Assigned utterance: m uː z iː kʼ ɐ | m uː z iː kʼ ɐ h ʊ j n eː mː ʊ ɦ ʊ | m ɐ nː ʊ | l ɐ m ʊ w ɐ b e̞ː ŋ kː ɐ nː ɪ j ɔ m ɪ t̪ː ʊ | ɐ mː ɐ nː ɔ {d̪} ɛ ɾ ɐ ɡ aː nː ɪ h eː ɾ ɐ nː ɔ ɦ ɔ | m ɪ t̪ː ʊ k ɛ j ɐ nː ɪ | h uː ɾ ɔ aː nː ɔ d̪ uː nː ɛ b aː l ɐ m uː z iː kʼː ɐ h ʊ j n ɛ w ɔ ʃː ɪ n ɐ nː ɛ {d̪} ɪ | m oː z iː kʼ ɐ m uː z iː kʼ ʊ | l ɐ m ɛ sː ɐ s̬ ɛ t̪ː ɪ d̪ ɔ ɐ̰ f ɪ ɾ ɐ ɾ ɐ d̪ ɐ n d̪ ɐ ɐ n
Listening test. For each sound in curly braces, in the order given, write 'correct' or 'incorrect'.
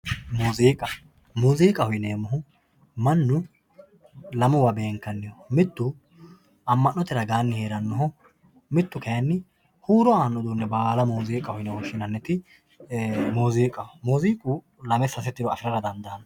incorrect: t̪, incorrect: t̪

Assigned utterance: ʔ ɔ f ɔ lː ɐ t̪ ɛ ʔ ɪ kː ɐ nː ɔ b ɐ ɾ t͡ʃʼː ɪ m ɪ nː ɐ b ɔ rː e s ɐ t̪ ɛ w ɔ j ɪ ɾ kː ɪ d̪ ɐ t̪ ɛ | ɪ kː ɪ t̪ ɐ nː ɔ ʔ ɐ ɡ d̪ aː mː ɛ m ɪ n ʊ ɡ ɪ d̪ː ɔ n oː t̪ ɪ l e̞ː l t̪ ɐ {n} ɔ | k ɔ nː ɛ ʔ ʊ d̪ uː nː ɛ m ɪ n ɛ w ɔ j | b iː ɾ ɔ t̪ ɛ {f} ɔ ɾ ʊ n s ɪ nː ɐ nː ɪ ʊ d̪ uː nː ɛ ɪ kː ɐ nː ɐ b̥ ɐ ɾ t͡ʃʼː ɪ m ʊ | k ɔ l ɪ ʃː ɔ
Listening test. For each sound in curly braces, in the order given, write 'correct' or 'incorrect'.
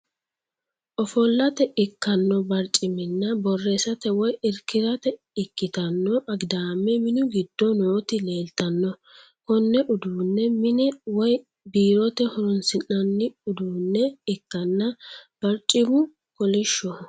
incorrect: nː, incorrect: h

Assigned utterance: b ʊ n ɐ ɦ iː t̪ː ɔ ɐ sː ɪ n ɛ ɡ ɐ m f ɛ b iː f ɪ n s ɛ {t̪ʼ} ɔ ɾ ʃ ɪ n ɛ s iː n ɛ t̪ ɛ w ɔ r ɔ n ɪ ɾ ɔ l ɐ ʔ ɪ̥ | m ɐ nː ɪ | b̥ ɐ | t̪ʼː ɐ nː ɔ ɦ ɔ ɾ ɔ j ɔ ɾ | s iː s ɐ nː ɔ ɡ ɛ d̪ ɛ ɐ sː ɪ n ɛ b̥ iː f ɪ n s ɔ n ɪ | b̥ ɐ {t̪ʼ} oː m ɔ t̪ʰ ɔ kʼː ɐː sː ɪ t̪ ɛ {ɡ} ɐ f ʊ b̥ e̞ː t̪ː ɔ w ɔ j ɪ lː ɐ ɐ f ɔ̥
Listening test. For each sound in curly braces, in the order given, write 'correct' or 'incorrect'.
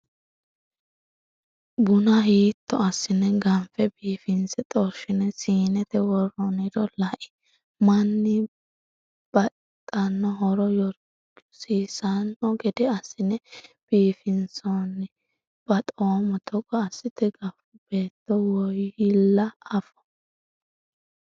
correct, correct, correct

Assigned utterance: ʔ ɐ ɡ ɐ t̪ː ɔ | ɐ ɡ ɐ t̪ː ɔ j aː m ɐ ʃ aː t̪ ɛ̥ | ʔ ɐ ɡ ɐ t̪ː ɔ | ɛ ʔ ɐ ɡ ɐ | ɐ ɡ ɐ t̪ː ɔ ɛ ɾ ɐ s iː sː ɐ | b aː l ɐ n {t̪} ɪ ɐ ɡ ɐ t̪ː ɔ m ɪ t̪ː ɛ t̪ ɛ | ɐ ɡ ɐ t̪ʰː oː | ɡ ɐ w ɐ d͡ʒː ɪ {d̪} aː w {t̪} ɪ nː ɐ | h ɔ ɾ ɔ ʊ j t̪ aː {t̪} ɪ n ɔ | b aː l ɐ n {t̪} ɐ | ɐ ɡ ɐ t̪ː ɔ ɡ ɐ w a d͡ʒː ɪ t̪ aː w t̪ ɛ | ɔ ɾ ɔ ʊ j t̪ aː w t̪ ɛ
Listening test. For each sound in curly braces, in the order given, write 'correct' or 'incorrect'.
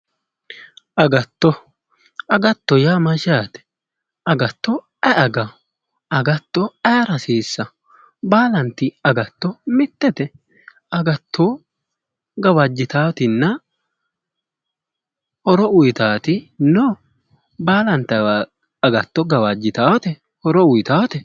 correct, incorrect: t̪, correct, correct, correct

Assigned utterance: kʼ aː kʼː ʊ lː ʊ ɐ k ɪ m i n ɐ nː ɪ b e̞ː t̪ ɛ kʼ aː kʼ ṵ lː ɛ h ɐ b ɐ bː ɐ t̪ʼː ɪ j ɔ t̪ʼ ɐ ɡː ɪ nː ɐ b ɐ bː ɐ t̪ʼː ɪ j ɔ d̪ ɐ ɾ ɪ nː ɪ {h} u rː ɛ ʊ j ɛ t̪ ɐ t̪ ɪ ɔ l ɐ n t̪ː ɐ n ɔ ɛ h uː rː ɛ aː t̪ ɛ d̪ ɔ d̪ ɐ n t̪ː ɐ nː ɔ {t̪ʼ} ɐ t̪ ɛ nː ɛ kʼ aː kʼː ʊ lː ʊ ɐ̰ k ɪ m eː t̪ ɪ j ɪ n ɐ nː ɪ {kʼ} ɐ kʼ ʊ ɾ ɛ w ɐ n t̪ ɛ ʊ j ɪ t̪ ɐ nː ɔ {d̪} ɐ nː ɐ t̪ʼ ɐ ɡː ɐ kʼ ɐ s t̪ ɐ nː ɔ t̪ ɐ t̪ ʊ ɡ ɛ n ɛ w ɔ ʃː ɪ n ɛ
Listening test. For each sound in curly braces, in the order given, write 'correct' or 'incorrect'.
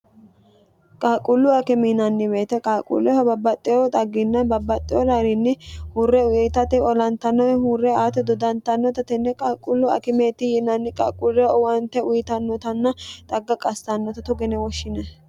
correct, incorrect: t̪, correct, incorrect: t̪

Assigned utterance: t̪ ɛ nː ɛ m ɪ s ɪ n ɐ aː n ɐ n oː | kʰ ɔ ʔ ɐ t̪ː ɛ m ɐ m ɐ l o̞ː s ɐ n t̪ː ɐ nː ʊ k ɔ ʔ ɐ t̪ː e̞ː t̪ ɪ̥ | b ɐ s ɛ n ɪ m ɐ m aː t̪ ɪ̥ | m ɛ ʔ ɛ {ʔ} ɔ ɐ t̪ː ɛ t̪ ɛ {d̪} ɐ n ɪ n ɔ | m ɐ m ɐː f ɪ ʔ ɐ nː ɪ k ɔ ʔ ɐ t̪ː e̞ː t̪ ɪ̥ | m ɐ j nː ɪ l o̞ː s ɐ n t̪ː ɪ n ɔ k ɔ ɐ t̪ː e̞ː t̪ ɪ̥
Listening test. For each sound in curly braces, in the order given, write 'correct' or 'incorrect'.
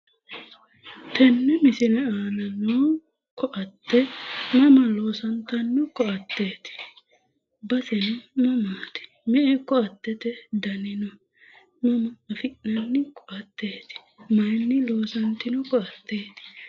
incorrect: k, correct

